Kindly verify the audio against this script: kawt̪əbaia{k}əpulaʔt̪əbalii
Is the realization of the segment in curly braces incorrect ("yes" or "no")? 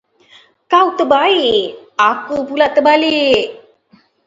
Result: no